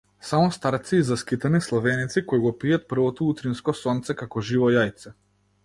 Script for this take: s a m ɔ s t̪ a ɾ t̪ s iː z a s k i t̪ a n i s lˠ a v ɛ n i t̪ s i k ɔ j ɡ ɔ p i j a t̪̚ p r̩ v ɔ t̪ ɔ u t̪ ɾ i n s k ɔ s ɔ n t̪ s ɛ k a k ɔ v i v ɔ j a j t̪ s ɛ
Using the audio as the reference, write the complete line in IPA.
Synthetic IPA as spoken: s a m ɔ s t̪ a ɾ t̪ s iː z a s k i t̪ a n i s lˠ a v ɛ n i t̪ s i k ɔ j ɡ ɔ p i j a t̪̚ p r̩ v ɔ t̪ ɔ u t̪ ɾ i n s k ɔ s ɔ n t̪ s ɛ k a k ɔ ʒ i v ɔ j a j t̪ s ɛ

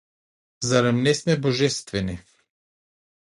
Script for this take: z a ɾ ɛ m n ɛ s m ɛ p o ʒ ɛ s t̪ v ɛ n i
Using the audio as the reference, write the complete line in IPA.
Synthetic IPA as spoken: z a ɾ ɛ m n ɛ s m ɛ b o ʒ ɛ s t̪ v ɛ n i

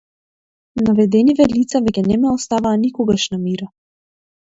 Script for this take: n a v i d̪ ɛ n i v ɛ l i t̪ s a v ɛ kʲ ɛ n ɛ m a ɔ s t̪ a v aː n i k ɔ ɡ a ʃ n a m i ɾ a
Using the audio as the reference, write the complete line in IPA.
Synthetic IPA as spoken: n a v ɛ d̪ ɛ n i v ɛ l i t̪ s a v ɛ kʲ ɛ n ɛ m ɛ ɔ s t̪ a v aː n i k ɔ ɡ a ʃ n a m i ɾ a

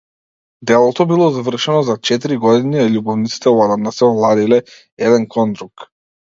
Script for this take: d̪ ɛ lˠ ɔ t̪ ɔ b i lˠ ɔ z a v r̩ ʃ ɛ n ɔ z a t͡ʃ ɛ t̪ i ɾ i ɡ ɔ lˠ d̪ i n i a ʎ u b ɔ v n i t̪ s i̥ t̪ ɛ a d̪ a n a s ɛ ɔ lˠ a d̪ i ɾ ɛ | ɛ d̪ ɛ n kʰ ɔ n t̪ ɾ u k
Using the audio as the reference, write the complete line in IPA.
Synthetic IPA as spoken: d̪ ɛ lˠ ɔ t̪ ɔ b i lˠ ɔ z a v r̩ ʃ ɛ n ɔ z a t͡ʃ ɛ t̪ i ɾ i ɡ ɔ d̪ i n i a ʎ u b ɔ v n i t̪ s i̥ t̪ ɛ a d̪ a n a s ɛ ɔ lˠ a d̪ i l ɛ | ɛ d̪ ɛ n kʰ ɔ n d̪ ɾ u k

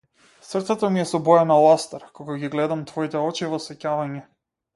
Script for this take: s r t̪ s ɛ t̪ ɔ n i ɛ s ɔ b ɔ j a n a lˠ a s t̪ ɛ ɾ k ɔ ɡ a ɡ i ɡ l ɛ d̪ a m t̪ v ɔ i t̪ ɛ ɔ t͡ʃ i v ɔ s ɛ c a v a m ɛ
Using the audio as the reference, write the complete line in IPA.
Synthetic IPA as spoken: s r t̪ s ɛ t̪ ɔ m i ɛ s ɔ b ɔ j a n a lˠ a s t̪ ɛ ɾ k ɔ ɡ a ɡ i ɡ l ɛ d̪ a m t̪ v ɔ i t̪ ɛ ɔ t͡ʃ i v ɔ s ɛ c a v a ɲ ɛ

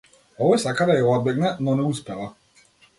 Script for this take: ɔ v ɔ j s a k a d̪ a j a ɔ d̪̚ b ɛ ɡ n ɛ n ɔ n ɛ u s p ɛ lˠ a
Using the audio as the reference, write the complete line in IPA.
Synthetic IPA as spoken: ɔ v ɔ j s a k a d̪ a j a ɔ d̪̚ b ɛ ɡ n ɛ n ɔ n ɛ u s p ɛ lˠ a

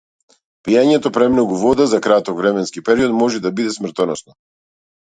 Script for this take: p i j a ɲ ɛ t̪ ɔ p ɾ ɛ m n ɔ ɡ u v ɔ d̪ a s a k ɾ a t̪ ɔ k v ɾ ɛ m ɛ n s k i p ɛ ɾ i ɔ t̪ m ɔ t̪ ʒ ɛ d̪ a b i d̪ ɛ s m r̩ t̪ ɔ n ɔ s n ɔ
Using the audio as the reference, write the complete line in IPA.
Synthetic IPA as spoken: p i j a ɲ ɛ t̪ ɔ p ɾ ɛ m n ɔ ɡ u v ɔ d̪ a z a k ɾ a t̪ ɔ k v ɾ ɛ m ɛ n s k i p ɛ ɾ i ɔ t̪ m ɔ ʒ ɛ d̪ a b i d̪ ɛ s m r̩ t̪ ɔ n ɔ s n ɔ

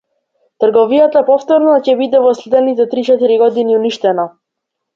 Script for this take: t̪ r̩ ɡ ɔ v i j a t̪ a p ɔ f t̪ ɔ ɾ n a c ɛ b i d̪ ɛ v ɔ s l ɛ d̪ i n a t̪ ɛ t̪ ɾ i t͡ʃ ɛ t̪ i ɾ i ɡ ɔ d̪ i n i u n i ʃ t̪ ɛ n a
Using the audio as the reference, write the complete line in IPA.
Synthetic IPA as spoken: t̪ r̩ ɡ ɔ v i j a t̪ a p ɔ f t̪ ɔ ɾ n a c ɛ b i d̪ ɛ v ɔ s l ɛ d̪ ɛ n i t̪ ɛ t̪ ɾ i t͡ʃ ɛ t̪ i ɾ i ɡ ɔ d̪ i n i u n i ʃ t̪ ɛ n a

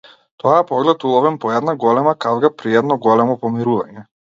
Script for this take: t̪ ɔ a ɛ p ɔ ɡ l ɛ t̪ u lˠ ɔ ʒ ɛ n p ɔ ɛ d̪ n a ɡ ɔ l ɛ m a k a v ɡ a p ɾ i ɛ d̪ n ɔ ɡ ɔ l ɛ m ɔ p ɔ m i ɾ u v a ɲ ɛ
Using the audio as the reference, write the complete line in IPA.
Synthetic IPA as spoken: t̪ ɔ a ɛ p ɔ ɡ l ɛ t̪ u lˠ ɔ v ɛ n p ɔ ɛ d̪ n a ɡ ɔ l ɛ m a k a v ɡ a p ɾ i ɛ d̪ n ɔ ɡ ɔ l ɛ m ɔ p ɔ m i ɾ u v a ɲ ɛ

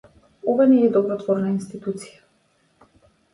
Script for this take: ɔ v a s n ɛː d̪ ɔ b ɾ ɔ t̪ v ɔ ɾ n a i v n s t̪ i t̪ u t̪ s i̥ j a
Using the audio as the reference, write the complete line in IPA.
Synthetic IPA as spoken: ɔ v a n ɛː d̪ ɔ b ɾ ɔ t̪ v ɔ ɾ n a i n s t̪ i t̪ u t̪ s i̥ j a

